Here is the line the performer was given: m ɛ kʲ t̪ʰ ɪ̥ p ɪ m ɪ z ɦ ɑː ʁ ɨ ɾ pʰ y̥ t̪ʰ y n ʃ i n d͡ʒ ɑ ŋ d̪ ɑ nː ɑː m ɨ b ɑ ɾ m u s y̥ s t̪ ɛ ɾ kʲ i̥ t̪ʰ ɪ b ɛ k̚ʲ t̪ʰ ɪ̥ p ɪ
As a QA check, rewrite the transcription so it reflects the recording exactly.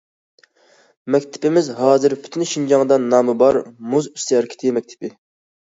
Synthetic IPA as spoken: m ɛ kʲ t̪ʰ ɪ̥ p ɪ m ɪ z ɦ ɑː z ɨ ɾ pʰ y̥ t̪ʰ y n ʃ i n d͡ʒ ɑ ŋ d̪ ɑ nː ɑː m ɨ b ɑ ɾ m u z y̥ s t̪ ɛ ɾ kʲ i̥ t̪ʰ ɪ m ɛ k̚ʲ t̪ʰ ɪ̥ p ɪ